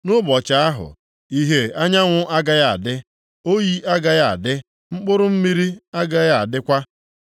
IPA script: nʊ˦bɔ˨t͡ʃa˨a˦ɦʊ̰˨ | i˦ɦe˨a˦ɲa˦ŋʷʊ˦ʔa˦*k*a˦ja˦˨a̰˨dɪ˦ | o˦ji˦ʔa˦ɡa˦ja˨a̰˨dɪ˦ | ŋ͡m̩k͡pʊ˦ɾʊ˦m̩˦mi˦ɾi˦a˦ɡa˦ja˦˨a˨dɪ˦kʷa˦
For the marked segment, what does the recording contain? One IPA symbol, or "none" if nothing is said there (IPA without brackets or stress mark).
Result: ɡ